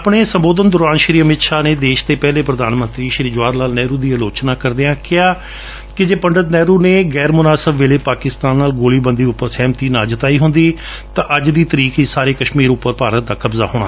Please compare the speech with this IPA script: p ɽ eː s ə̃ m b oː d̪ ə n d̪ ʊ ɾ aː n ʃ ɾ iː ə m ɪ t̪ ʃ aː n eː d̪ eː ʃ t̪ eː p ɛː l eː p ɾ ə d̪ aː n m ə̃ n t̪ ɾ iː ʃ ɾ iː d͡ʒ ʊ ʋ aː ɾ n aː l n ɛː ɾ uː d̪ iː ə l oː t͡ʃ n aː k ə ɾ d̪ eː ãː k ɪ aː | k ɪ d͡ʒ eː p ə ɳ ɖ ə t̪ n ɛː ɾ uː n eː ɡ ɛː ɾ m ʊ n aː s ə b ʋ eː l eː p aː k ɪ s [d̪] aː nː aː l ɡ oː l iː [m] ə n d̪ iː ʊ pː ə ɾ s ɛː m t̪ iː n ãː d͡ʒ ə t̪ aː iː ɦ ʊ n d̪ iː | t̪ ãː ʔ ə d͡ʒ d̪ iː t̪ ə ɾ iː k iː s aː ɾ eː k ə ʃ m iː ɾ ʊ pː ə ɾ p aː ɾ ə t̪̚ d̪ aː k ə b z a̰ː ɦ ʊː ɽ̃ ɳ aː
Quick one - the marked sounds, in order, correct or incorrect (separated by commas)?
incorrect, incorrect